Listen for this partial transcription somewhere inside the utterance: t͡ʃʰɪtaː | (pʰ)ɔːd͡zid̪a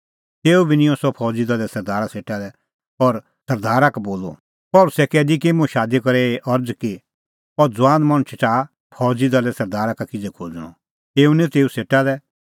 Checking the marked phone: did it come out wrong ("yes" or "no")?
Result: no